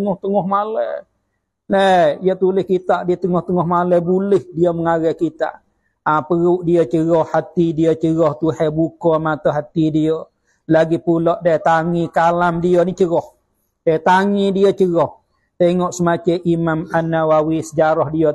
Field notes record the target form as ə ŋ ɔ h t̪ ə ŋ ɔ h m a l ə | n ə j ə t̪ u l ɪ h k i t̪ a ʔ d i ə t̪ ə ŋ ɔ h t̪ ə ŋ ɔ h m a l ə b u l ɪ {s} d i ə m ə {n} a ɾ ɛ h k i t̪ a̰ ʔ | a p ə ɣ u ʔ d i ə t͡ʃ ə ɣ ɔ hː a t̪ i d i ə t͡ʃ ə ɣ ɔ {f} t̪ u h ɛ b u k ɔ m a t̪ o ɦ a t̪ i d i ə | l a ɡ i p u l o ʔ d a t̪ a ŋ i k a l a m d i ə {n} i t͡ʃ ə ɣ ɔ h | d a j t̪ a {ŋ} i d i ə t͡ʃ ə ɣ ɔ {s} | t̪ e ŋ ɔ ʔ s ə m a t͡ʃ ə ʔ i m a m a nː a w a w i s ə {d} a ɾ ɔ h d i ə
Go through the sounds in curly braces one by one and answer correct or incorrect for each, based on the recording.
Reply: incorrect: h, incorrect: ŋ, incorrect: h, correct, correct, incorrect: h, incorrect: d͡ʒ

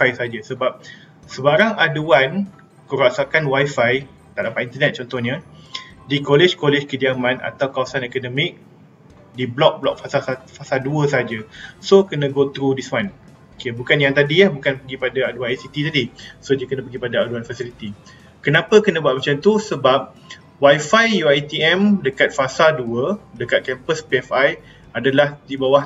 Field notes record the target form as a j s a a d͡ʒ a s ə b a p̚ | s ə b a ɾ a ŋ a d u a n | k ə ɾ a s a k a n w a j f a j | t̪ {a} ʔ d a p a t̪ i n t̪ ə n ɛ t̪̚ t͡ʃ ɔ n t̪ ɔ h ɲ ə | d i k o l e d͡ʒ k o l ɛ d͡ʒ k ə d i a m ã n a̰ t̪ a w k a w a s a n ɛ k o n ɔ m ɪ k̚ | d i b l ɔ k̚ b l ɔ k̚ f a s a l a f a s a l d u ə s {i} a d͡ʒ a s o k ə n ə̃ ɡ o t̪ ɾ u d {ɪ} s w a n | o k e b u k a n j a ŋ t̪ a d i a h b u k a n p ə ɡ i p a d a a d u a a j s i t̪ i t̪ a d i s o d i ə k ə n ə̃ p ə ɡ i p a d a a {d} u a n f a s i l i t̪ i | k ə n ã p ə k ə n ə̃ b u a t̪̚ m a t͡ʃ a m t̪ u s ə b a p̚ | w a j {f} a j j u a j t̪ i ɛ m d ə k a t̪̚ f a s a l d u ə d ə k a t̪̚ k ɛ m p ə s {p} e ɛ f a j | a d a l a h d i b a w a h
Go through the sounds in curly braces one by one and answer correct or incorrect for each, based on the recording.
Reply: correct, incorrect: a, incorrect: i, correct, correct, correct

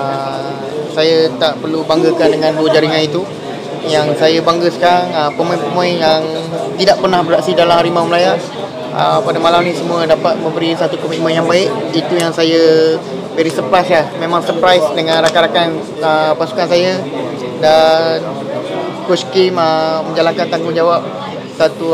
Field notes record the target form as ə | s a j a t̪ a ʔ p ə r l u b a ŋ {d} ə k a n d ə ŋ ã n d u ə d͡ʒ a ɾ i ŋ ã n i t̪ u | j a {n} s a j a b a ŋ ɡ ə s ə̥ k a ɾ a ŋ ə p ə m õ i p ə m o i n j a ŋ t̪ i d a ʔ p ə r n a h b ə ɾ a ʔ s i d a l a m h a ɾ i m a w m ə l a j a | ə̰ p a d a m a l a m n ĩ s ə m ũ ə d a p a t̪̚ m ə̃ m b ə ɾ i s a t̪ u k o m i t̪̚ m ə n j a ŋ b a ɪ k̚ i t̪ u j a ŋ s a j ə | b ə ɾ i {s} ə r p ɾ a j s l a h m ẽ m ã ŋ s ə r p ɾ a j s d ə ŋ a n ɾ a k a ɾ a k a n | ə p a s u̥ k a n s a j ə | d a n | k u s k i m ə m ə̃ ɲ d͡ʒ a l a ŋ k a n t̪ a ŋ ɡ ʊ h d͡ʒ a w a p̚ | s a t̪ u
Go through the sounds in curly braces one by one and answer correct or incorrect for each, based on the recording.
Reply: incorrect: ɡ, incorrect: ŋ, correct

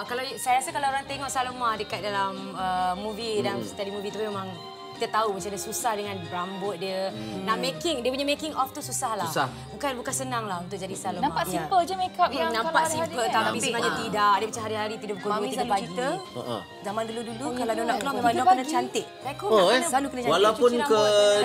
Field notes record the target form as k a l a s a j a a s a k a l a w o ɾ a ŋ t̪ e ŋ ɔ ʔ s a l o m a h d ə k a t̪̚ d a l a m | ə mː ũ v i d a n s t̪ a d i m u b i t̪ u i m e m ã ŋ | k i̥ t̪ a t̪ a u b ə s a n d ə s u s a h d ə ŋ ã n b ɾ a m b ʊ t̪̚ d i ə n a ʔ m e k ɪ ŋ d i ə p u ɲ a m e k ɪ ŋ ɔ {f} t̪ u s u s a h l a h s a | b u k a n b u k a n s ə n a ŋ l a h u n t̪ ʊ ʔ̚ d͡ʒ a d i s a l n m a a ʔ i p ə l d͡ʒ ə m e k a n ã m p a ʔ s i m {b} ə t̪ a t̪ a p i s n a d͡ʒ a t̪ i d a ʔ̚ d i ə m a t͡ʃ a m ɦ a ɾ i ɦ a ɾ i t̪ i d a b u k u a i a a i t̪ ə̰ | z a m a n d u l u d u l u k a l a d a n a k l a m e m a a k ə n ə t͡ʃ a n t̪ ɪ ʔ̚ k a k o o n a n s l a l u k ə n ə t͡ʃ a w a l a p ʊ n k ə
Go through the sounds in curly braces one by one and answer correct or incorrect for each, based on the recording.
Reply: correct, incorrect: p

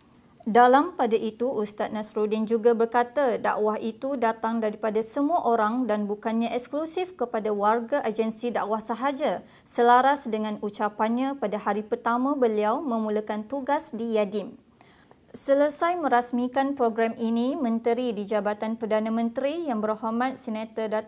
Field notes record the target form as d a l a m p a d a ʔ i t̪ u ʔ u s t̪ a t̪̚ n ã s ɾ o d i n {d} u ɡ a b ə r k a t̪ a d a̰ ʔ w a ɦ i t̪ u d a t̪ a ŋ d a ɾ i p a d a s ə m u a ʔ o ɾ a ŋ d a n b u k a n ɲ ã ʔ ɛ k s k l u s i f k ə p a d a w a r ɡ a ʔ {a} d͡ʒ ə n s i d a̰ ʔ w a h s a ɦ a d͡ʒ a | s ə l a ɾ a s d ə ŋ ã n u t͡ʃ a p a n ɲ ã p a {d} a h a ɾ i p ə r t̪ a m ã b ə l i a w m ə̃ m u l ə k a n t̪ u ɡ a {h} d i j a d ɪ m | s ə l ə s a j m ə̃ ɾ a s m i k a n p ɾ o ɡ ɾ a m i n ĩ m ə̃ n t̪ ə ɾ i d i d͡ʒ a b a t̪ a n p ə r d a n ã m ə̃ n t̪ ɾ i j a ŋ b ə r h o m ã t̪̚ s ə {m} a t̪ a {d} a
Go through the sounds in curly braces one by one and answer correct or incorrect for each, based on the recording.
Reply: incorrect: d͡ʒ, correct, correct, incorrect: s, incorrect: n, correct

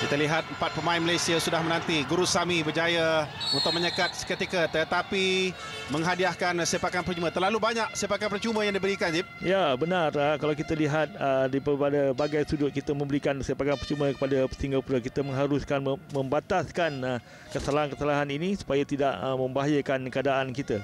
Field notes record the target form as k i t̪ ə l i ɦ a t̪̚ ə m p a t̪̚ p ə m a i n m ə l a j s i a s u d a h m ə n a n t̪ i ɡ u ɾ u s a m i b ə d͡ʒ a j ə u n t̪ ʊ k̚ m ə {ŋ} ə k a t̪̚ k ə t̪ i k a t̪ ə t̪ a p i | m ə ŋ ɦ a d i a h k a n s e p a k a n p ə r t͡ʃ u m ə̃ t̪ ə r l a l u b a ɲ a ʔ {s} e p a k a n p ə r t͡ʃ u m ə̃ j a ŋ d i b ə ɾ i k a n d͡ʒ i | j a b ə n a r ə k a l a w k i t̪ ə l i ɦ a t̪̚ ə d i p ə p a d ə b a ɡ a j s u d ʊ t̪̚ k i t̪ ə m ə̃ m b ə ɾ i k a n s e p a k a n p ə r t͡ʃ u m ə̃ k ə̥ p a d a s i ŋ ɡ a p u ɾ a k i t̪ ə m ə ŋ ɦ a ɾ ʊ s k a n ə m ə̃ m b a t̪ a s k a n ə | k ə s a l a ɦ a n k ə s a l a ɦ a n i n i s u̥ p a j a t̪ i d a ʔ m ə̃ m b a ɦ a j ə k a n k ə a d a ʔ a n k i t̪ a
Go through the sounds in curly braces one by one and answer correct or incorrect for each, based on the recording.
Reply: incorrect: ɲ, correct

